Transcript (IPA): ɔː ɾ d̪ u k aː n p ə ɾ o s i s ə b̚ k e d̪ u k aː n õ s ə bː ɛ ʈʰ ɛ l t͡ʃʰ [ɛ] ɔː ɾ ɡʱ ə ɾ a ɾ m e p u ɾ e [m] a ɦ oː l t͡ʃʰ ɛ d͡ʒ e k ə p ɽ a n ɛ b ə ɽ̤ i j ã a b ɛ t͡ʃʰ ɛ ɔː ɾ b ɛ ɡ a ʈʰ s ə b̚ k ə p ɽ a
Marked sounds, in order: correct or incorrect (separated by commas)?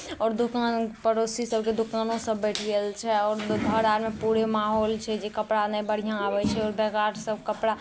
correct, correct